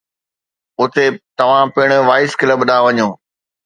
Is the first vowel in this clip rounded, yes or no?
yes